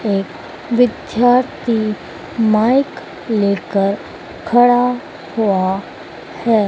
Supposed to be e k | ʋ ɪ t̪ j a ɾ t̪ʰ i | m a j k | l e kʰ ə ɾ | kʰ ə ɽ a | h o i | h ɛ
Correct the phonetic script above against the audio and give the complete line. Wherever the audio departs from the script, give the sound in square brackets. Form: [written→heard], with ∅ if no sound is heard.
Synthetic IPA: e k | ʋ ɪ [t̪→d̪] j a ɾ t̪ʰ i | m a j k | l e [kʰ→k] ə ɾ | kʰ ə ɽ a | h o [i→a] | h ɛ